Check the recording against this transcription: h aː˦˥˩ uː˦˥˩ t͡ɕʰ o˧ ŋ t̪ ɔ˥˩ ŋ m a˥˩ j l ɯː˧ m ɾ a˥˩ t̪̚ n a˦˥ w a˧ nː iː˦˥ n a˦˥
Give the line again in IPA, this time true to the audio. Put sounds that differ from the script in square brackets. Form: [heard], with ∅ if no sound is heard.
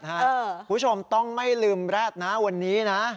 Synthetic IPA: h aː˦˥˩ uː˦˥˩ t͡ɕʰ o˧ [m] t̪ ɔ˥˩ ŋ m a˥˩ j l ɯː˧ m ɾ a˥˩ t̪̚ n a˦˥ w a˧ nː iː˦˥ n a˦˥